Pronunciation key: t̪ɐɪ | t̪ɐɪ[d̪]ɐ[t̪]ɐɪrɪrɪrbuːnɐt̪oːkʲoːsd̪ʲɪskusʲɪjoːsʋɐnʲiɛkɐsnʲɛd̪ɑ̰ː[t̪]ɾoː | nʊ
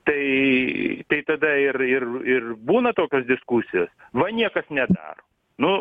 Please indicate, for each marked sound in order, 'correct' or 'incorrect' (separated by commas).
incorrect, incorrect, incorrect